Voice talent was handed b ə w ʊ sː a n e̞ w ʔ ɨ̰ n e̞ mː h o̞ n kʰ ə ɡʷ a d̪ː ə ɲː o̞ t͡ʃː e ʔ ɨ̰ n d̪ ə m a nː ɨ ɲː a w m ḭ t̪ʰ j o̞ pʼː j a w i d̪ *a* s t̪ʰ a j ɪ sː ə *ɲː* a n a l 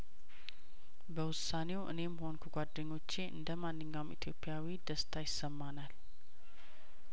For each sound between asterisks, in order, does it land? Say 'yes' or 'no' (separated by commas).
no, no